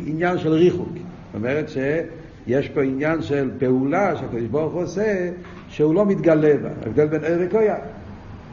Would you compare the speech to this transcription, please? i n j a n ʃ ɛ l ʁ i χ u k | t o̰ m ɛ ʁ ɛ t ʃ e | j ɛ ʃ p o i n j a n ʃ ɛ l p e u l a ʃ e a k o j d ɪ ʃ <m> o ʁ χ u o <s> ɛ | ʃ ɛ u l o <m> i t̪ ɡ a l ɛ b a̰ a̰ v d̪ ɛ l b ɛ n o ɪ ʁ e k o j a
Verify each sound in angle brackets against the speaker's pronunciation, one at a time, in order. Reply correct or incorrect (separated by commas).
incorrect, correct, correct